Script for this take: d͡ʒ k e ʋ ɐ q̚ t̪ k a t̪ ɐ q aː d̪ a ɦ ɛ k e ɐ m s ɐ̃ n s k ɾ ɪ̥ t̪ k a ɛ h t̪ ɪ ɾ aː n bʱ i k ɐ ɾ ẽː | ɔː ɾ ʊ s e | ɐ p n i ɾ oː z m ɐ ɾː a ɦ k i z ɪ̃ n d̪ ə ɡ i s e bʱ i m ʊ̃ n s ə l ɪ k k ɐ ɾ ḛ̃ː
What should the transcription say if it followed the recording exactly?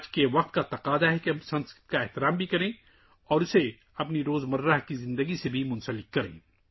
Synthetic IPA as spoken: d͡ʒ k e ʋ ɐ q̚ t̪ k a t̪ ɐ q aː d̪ a ɦ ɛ k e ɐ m s ɐ̃ n s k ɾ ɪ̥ t̪ k a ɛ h t̪ ɪ ɾ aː m bʱ i k ɐ ɾ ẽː | ɔː ɾ ʊ s e | ɐ p n i ɾ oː z m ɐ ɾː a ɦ k i z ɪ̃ n d̪ ə ɡ i s e bʱ i m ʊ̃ n s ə l ɪ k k ɐ ɾ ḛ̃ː

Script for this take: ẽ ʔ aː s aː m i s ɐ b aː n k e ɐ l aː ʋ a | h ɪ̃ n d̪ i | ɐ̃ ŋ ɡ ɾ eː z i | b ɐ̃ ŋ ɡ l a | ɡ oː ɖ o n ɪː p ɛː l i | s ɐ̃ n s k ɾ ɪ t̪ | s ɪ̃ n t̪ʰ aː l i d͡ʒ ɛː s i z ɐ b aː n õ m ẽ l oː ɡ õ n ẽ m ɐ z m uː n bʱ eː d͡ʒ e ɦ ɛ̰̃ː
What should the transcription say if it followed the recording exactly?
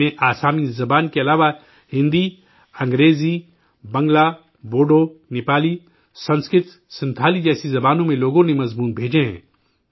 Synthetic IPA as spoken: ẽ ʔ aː s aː m i z ɐ b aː n k e ɐ l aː ʋ a | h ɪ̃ n d̪ i | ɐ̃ ŋ ɡ ɾ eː z i | b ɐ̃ ŋ ɡ l a | b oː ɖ o n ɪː p aː l i | s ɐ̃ n s k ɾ ɪ t̪ | s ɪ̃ n t̪ʰ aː l i d͡ʒ ɛː s i z ɐ b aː n õ m ẽ l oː ɡ õ n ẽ m ɐ z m uː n bʱ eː d͡ʒ e ɦ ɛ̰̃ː

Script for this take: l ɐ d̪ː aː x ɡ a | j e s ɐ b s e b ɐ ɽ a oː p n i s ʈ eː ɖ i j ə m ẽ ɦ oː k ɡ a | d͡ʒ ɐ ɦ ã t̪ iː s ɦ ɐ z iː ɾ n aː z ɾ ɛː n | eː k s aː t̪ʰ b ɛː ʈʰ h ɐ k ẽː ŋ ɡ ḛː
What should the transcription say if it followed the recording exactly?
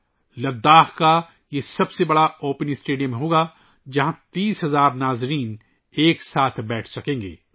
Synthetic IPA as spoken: l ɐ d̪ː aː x k a | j e s ɐ b s e b ɐ ɽ a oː p n i s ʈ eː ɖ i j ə m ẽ ɦ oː ɡ a | d͡ʒ ɐ ɦ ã t̪ iː s ɦ ɐ z aː ɾ n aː z ɾ iː n | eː k s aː t̪ʰ b ɛː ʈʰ s ɐ k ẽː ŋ ɡ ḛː

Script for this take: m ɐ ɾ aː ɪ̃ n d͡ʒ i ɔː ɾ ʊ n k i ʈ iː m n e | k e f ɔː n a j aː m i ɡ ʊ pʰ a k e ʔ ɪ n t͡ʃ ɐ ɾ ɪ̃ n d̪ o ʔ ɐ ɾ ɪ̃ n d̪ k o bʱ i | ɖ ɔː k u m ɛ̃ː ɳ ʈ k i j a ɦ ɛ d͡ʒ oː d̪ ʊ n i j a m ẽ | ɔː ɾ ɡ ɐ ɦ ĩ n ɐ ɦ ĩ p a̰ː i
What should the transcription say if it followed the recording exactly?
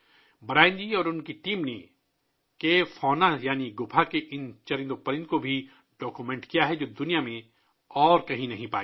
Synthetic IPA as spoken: b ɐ ɾ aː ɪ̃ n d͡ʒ i ɔː ɾ ʊ n k i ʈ iː m n e | k e f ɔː n a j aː n i ɡ ʊ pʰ a k e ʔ ɪ n t͡ʃ ɐ ɾ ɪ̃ n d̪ o p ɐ ɾ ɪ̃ n d̪ k o bʱ i | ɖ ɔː k u m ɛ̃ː ɳ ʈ k i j a ɦ ɛ d͡ʒ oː d̪ ʊ n i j a m ẽ | ɔː ɾ k ɐ ɦ ĩ n ɐ ɦ ĩ p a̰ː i

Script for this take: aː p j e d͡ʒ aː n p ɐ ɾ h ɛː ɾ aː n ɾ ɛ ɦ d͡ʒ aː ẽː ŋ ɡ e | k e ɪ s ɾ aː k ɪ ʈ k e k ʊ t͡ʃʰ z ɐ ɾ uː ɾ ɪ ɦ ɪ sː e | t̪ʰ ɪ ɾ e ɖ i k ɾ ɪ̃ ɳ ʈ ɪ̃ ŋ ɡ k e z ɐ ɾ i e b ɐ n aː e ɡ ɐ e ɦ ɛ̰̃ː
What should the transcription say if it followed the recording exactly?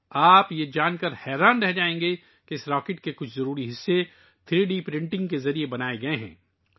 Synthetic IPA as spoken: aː p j e d͡ʒ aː n k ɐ ɾ h ɛː ɾ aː n ɾ ɛ ɦ d͡ʒ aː ẽː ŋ ɡ e | k e ɪ s ɾ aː k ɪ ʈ k e k ʊ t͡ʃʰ z ɐ ɾ uː ɾ i ɦ ɪ sː e | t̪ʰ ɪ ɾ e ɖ i p ɾ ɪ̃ ɳ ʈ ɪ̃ ŋ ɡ k e z ɐ ɾ i e b ɐ n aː e ɡ ɐ e ɦ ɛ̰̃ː

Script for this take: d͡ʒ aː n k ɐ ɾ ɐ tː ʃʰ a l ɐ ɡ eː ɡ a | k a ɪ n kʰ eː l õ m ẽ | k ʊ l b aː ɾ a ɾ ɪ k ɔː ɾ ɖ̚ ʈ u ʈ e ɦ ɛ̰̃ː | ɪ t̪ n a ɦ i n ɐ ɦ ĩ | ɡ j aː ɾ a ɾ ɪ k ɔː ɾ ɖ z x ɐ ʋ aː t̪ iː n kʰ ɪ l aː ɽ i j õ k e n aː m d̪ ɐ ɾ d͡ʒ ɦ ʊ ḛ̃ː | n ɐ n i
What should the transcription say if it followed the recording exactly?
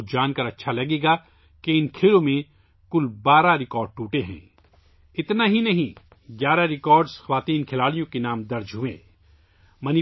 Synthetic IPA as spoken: d͡ʒ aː n k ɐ ɾ ɐ tː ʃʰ a l ɐ ɡ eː ɡ a | k e ɪ n kʰ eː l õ m ẽ | k ʊ l b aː ɾ a ɾ ɪ k ɔː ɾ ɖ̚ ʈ uː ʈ e ɦ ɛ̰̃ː | ɪ t̪ n a ɦ i n ɐ ɦ ĩ | ɡ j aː ɾ a ɾ ɪ k ɔː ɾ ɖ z x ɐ ʋ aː t̪ iː n kʰ ɪ l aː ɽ i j õ k e n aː m d̪ ɐ ɾ d͡ʒ ɦ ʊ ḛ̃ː | m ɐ n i

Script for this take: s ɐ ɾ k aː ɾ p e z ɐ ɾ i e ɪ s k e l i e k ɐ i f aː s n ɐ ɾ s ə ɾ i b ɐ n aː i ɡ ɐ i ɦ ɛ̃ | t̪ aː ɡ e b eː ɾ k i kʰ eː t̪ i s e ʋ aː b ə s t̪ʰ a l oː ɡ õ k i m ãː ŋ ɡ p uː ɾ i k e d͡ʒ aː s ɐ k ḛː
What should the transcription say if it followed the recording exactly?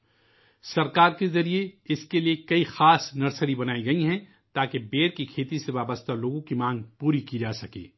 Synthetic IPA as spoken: s ɐ ɾ k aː ɾ k e z ɐ ɾ i e ɪ s k e l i e k ɐ i x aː s n ɐ ɾ s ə ɾ i b ɐ n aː i ɡ ɐ i ɦ ɛ̃ | t̪ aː k e b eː ɾ k i kʰ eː t̪ i s e ʋ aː b ə s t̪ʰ a l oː ɡ õ k i m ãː ŋ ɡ p uː ɾ i k i d͡ʒ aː s ɐ k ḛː

